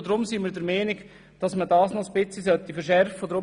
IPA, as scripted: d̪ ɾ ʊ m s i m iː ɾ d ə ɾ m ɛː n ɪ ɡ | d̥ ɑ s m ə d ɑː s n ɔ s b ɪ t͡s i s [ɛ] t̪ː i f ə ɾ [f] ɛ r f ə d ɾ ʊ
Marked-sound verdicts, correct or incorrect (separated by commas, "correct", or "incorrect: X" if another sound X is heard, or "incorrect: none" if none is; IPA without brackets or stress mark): incorrect: œ, incorrect: ʃ